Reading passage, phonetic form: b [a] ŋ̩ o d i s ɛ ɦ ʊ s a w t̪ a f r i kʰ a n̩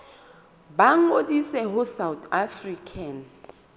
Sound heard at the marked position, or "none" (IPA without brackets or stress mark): a